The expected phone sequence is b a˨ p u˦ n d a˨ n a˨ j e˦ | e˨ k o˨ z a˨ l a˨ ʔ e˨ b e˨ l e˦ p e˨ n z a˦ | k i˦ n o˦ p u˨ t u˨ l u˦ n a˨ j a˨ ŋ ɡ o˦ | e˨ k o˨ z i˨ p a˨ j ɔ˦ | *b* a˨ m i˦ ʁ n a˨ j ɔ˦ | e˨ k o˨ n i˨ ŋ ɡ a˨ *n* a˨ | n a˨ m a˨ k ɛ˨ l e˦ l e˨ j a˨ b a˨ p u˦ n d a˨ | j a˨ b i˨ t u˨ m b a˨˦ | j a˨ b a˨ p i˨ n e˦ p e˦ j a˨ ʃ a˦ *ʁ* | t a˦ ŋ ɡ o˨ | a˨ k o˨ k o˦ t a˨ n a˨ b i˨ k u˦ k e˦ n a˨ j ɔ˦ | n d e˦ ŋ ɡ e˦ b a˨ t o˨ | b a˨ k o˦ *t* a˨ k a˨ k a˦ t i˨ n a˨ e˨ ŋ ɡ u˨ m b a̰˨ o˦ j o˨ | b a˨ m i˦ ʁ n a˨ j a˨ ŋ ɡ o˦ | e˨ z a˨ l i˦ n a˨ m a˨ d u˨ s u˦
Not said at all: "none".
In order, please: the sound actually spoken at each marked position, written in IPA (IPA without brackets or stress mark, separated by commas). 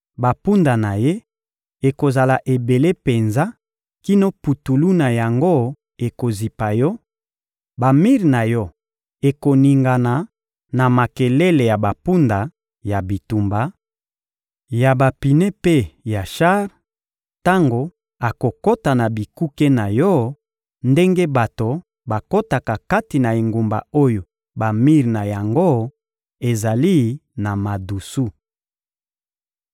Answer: b, n, ʁ, t